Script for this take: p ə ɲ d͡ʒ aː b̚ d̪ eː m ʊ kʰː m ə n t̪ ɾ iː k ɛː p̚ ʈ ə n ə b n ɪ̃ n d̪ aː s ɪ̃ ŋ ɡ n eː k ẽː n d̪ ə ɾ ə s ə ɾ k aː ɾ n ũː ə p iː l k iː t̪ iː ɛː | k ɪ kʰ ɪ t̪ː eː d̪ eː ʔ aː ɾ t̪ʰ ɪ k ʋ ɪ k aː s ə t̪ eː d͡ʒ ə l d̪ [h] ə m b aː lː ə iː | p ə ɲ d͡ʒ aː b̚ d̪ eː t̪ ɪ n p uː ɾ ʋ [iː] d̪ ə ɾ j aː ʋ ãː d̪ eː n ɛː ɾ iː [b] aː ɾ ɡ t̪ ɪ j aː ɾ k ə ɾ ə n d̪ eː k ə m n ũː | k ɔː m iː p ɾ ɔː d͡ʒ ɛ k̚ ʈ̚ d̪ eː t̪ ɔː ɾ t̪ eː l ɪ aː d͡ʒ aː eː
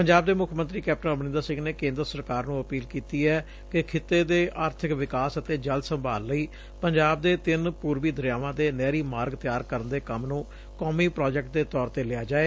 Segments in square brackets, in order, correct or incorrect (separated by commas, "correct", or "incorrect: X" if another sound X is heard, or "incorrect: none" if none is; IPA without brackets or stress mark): incorrect: s, correct, incorrect: m